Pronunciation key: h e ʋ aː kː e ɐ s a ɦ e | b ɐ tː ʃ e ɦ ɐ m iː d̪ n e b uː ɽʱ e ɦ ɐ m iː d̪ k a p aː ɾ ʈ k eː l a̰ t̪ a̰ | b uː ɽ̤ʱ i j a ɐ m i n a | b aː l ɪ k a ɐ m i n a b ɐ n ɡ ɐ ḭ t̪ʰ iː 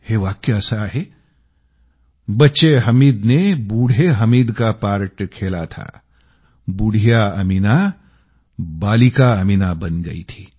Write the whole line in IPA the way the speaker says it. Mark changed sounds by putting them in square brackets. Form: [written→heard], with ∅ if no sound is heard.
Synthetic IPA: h e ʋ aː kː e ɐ s a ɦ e | b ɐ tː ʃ e ɦ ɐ m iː d̪ n e b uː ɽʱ e ɦ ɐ m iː d̪ k a p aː ɾ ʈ [k→kʰ] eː l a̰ [t̪→t̪ʰ] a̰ | b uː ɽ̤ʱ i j a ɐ m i n a | b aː l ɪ k a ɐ m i n a b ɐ n ɡ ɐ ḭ t̪ʰ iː